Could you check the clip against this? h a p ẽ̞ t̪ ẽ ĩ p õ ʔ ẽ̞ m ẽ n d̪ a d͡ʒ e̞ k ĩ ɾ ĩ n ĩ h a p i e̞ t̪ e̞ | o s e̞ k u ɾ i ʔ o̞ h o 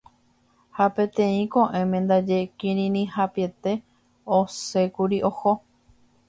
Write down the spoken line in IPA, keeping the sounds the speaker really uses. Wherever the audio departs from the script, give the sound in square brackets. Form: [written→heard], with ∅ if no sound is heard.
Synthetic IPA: h a p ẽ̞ t̪ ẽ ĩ [p→k] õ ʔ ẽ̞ m ẽ n d̪ a d͡ʒ e̞ k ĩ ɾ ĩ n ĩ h a p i e̞ t̪ e̞ | o s e̞ k u ɾ i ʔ o̞ h o